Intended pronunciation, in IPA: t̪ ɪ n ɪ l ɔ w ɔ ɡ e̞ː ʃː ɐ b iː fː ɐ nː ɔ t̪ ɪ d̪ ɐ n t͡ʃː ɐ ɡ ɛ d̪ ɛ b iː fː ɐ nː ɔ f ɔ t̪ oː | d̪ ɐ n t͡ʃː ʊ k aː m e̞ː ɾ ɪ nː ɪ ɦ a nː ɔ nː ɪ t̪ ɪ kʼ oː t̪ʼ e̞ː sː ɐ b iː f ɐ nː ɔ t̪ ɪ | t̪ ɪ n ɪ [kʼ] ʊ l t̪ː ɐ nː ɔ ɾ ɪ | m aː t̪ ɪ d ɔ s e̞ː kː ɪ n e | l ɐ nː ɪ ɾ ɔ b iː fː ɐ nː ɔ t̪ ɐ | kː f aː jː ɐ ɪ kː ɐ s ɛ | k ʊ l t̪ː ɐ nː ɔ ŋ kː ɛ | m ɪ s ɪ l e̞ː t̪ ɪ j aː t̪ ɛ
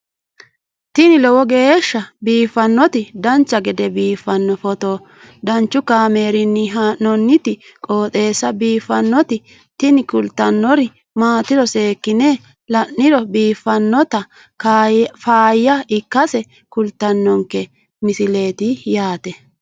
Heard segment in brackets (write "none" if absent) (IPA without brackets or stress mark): k